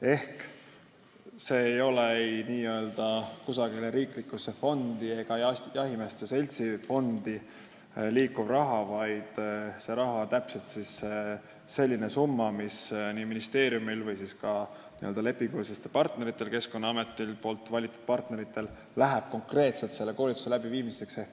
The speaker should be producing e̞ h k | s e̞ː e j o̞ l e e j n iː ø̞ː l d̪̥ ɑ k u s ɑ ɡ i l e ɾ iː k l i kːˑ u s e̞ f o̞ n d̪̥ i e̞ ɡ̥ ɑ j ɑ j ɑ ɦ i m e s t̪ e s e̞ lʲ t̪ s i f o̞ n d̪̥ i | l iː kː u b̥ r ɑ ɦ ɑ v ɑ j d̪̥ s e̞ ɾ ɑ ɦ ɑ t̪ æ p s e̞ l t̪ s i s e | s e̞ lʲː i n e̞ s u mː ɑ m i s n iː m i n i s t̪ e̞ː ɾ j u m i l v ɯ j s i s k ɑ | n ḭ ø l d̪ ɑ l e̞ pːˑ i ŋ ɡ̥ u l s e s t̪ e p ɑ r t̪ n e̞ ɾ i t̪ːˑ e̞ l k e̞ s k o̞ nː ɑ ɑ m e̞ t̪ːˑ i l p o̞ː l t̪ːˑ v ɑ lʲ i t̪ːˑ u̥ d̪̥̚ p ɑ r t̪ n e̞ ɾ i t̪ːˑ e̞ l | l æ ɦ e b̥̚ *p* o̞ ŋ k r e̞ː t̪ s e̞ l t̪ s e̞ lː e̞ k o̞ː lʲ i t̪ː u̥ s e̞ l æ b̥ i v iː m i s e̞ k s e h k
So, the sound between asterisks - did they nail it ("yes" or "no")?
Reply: no